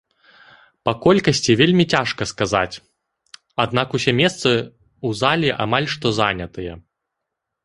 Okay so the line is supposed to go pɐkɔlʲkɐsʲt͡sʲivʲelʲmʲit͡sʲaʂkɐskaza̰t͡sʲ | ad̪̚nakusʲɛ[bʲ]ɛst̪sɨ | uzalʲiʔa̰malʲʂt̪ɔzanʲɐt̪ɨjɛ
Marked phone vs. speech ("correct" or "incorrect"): incorrect